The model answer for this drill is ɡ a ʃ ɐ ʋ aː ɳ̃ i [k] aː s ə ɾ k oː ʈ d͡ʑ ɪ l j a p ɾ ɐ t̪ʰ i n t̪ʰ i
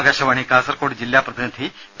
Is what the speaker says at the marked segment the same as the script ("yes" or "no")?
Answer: yes